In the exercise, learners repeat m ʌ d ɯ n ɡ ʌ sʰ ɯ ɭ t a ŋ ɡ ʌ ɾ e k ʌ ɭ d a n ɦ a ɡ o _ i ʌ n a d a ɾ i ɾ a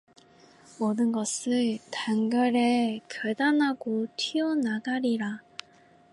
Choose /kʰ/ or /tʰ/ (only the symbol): tʰ